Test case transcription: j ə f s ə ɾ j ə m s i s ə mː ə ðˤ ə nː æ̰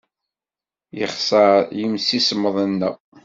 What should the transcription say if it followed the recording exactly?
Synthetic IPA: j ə χ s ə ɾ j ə m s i s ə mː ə ðˤ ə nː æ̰

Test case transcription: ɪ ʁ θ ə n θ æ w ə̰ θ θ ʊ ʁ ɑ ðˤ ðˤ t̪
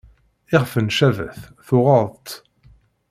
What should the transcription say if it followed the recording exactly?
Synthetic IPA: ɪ ʁ f ə n ʃ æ v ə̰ θ θ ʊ ʁ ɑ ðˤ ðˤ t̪

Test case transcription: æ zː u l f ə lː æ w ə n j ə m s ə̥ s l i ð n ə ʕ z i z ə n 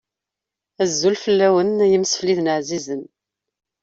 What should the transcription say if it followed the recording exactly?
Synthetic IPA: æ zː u l f ə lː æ w ə n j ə m s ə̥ f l i ð n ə ʕ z i z ə n

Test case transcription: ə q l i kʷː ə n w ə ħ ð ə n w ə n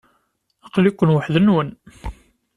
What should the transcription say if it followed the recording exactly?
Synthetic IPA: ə q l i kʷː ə n w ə ħ ð ə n w ə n

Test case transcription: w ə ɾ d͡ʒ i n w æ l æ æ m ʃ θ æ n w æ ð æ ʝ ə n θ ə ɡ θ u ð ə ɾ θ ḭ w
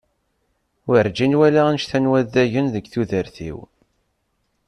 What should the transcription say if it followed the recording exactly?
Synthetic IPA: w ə ɾ d͡ʒ i n w æ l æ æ n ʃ θ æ n w æ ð æ ʝ ə n ð ə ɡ θ u ð ə ɾ θ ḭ w

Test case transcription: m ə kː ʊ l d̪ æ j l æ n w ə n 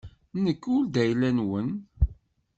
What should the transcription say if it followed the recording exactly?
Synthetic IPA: n ə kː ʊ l d̪ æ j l æ n w ə n

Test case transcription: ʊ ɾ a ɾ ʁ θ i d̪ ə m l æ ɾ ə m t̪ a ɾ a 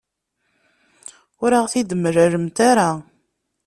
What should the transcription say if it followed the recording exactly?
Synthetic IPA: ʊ ɾ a ʁ θ i d̪ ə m ɾ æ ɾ ə m t̪ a ɾ a

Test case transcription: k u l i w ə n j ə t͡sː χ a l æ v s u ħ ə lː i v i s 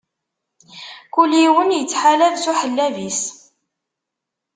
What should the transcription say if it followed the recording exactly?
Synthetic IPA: k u l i w ə n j ə t͡sː ħ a l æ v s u ħ ə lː æ v i s

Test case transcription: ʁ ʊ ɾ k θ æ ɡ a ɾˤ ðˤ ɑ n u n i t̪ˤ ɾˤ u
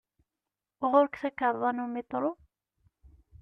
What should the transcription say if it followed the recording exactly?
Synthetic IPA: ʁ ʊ ɾ k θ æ k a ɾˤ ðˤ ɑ n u m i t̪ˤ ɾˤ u

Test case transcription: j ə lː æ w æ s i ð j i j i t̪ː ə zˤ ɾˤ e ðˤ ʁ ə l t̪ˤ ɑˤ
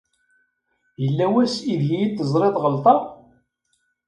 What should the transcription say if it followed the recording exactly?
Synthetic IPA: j ə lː æ w æ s i ð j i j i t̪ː ə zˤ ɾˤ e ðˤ ʁ ə l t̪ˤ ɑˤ

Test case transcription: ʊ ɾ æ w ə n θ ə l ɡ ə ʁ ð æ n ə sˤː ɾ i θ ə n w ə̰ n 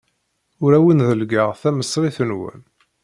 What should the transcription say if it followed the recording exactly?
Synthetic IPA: ʊ ɾ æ w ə n ð ə l ɡ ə ʁ θ æ m ə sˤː ɾ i θ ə n w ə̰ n

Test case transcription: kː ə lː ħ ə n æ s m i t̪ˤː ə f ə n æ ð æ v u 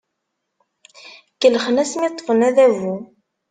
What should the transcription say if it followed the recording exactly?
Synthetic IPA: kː ə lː χ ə n æ s m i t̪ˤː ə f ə n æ ð æ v u

